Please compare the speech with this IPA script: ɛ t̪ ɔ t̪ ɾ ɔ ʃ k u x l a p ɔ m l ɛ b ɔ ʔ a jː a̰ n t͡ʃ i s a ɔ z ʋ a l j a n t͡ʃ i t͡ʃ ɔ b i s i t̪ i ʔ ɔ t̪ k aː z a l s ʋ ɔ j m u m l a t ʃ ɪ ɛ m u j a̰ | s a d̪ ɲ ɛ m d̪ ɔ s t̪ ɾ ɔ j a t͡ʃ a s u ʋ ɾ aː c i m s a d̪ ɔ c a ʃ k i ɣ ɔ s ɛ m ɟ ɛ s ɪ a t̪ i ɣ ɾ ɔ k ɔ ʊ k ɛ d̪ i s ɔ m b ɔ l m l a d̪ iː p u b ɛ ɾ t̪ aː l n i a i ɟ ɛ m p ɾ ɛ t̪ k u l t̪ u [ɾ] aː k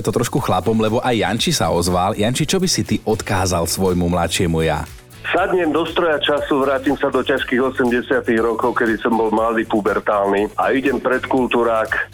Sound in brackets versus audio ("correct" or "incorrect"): correct